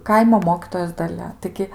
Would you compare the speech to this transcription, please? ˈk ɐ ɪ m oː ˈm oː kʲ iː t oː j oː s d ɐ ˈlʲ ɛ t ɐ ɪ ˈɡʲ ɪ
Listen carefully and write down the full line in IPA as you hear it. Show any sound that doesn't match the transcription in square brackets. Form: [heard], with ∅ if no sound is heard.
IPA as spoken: ˈk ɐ ɪ m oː ˈm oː kʲ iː t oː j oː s d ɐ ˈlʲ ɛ t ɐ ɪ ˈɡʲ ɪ